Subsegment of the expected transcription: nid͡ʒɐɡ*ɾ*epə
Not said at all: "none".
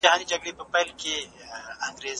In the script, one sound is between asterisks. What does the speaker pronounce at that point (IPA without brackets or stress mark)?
ɽ